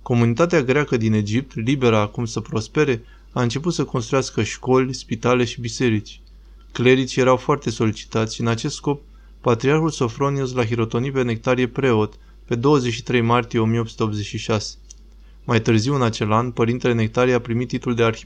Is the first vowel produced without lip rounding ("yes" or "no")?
no